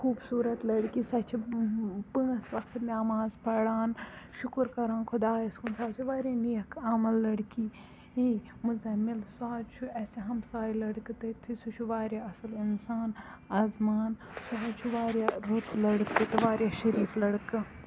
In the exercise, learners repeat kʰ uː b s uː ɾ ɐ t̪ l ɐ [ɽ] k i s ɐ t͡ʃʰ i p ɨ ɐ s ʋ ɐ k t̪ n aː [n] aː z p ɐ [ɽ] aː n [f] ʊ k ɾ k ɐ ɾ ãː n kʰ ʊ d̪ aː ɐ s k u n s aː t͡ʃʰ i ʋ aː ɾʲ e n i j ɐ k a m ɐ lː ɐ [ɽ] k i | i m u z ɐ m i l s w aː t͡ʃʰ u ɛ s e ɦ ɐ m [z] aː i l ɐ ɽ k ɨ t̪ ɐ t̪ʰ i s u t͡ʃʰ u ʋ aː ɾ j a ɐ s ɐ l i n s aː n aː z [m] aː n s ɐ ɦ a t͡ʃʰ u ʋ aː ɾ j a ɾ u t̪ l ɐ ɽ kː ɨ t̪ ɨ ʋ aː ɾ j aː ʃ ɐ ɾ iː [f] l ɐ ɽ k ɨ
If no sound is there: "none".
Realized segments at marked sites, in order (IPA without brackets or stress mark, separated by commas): ɽ, m, ɽ, ʃ, ɽ, s, m, f